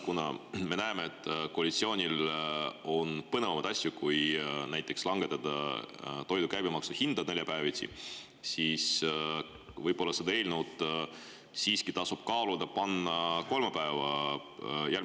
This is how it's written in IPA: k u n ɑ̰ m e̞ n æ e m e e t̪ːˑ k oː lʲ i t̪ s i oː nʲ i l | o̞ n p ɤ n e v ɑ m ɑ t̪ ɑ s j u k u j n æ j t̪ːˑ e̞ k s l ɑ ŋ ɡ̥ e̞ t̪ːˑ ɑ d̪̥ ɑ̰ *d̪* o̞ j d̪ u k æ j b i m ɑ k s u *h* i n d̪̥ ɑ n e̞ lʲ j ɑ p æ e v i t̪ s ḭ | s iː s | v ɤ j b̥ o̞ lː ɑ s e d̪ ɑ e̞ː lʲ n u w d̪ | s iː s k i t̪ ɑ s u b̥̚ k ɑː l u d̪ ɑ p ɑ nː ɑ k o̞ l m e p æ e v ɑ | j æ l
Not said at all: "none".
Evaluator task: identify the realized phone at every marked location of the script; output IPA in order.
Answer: t̪, h

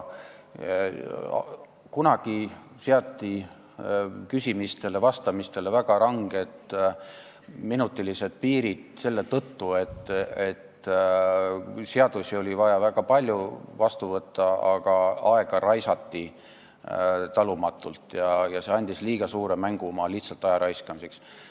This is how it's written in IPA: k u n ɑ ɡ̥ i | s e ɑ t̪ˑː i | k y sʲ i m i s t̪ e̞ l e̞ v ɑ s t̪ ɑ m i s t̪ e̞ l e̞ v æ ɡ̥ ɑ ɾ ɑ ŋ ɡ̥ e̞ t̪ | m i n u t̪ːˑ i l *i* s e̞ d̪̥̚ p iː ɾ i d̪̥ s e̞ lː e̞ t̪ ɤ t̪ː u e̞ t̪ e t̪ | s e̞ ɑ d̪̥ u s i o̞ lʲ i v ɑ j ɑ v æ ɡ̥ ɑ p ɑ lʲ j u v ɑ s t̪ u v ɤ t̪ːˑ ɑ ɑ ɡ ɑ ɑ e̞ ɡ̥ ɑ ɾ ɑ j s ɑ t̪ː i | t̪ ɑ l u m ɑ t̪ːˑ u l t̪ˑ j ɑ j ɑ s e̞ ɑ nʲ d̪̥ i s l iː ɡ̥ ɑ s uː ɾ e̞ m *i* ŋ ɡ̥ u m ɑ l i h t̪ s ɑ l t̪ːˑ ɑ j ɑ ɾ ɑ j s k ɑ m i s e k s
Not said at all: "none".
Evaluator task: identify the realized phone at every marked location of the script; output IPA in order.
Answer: i, æ

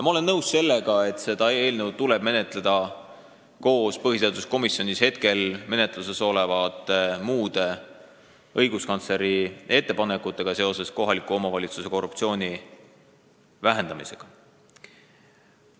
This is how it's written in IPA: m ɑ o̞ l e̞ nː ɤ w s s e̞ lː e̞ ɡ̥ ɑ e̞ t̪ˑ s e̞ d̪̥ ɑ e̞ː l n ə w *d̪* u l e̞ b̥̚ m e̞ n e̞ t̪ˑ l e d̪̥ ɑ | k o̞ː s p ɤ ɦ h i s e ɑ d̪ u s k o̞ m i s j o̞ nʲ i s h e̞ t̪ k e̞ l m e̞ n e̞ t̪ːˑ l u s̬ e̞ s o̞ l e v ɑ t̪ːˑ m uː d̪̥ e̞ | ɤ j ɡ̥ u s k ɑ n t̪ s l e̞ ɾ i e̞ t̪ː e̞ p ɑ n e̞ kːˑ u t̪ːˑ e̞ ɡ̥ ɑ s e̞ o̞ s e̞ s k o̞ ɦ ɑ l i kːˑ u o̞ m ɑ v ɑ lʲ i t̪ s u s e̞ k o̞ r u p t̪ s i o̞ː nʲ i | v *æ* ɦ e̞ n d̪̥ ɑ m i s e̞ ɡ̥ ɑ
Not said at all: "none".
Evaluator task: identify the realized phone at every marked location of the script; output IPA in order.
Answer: t̪, æ

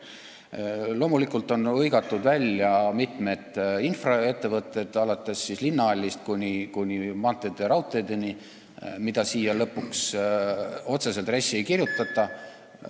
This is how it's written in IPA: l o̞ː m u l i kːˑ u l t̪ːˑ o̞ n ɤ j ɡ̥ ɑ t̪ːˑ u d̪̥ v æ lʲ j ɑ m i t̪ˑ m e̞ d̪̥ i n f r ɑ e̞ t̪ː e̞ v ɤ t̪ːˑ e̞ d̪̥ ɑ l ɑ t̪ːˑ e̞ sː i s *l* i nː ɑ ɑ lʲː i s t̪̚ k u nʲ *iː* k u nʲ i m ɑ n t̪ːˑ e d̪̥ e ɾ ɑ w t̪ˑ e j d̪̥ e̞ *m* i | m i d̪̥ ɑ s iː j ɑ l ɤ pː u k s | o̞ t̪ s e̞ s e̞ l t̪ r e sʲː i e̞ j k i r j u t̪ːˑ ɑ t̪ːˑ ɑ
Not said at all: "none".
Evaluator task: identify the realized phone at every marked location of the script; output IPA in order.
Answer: l, i, n

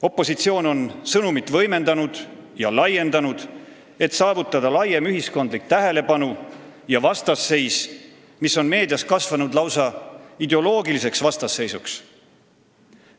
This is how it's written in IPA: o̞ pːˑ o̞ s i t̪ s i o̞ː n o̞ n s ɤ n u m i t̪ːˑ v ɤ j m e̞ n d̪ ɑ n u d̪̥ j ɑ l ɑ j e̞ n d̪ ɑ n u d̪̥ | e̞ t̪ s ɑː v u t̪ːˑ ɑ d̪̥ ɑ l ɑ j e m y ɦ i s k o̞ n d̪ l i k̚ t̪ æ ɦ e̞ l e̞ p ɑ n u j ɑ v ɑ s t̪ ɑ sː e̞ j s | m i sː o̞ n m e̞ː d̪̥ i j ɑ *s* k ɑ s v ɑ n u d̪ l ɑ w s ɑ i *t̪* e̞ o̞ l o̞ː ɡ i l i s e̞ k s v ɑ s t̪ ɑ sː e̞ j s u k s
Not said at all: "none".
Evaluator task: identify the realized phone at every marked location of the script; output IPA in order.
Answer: s, d̪

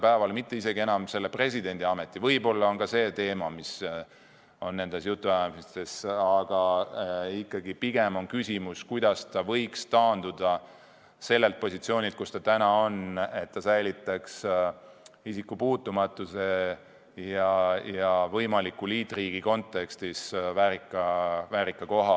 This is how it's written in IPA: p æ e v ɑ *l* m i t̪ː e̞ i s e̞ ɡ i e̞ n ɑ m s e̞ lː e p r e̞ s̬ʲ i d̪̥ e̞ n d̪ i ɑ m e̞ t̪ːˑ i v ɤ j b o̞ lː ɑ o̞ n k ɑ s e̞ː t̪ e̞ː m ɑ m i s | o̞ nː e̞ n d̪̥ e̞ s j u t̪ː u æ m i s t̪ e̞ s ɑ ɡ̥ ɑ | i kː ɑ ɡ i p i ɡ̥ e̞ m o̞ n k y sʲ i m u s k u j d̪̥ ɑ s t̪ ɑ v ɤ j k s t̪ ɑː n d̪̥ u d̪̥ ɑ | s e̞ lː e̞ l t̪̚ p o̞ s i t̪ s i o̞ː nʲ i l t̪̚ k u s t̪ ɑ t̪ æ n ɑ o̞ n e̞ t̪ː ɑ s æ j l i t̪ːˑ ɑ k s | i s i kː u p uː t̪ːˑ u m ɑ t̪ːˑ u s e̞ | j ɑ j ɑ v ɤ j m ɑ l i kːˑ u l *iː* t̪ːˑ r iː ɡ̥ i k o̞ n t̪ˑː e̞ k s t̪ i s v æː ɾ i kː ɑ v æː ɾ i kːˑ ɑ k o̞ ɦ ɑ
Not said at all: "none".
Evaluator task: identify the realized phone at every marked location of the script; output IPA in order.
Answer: l, iː

